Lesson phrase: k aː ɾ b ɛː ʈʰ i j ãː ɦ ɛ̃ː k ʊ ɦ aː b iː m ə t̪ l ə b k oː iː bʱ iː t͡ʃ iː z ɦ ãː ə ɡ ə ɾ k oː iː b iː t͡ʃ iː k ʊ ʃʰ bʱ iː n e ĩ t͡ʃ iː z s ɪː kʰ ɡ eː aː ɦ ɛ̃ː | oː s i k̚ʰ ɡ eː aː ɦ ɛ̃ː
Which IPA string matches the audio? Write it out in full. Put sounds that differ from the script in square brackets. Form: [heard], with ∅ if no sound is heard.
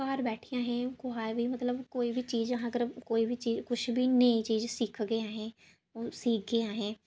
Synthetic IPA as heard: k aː ɾ b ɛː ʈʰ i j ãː ɦ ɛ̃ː k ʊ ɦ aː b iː m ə t̪ l ə b k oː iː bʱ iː t͡ʃ iː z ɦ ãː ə ɡ ə ɾ k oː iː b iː t͡ʃ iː k ʊ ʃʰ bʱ iː n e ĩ t͡ʃ iː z s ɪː kʰ ɡ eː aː ɦ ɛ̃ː | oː s [iː] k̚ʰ ɡ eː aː ɦ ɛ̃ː